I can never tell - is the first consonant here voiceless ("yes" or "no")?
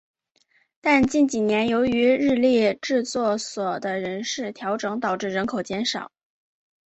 yes